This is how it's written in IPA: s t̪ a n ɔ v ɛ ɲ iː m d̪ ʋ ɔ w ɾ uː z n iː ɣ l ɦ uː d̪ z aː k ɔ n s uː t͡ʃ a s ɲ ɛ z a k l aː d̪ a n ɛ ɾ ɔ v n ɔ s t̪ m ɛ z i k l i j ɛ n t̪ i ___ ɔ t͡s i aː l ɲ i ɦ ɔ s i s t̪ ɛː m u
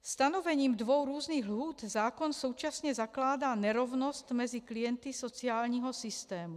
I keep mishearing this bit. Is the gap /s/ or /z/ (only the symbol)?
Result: s